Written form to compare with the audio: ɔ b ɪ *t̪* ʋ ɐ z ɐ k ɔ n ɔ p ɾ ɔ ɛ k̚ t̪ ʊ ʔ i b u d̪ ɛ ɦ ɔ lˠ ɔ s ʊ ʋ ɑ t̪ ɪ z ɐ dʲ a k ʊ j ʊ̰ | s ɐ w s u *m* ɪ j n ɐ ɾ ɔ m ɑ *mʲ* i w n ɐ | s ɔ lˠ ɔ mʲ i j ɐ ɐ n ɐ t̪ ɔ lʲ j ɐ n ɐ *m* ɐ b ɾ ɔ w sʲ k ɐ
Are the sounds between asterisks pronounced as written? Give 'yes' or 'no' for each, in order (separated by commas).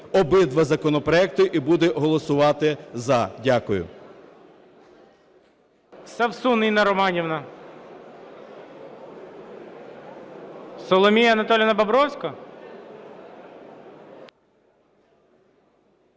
no, no, no, no